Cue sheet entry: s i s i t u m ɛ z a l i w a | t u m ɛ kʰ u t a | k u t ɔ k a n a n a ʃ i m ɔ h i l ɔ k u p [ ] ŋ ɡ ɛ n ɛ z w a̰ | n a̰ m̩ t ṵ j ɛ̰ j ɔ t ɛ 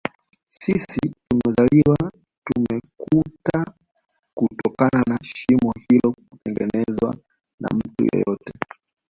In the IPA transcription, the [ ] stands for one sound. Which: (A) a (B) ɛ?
B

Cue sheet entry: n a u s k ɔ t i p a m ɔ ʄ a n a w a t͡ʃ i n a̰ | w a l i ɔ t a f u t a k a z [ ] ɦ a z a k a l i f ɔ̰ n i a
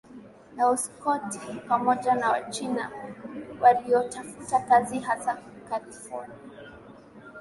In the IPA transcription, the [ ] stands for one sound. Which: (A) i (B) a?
A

